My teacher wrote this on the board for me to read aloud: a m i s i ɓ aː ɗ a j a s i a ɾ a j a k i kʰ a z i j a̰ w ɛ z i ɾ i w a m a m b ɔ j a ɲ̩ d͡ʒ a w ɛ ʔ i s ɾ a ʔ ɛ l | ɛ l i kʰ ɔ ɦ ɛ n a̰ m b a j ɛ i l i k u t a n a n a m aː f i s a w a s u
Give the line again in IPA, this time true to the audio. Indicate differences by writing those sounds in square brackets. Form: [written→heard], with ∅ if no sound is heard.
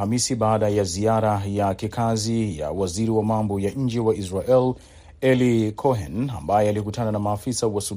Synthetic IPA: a m i s i ɓ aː ɗ a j a [s→z] i a ɾ a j a k i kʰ a z i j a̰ w [ɛ→a] z i ɾ i w a m a m b ɔ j a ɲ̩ d͡ʒ [a→ɛ] w [ɛ→a] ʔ i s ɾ a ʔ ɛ l | ɛ l i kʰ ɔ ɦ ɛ n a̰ m b a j ɛ [i→a] l i k u t a n a n a m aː f i s a w a s u